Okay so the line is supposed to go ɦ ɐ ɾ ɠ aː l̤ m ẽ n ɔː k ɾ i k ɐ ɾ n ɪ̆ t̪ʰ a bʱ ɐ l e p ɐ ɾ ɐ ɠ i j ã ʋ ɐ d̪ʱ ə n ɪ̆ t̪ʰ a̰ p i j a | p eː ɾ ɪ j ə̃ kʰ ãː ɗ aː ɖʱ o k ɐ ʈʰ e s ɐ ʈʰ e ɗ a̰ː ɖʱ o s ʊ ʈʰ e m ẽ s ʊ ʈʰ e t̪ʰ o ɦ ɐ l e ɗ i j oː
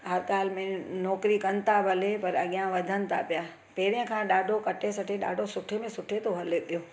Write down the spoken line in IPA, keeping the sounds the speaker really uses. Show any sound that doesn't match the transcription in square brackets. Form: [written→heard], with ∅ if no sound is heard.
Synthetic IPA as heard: ɦ ɐ ɾ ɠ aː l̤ m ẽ n ɔː k ɾ i k ɐ [ɾ→∅] n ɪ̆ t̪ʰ a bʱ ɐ l e p ɐ ɾ ɐ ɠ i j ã ʋ ɐ d̪ʱ ə n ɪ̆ t̪ʰ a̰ p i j a | p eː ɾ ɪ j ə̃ kʰ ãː ɗ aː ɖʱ o k ɐ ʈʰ e s ɐ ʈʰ e ɗ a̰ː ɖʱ o s ʊ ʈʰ e m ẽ s ʊ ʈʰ e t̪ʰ o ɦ ɐ l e ɗ i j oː